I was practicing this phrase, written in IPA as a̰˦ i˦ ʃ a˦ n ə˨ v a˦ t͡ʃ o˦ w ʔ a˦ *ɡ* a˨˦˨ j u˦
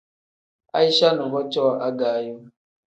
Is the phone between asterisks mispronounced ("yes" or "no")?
no